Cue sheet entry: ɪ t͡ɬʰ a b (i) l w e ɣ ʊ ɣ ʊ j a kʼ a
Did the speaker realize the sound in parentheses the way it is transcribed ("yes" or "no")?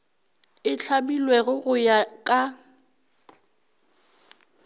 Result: yes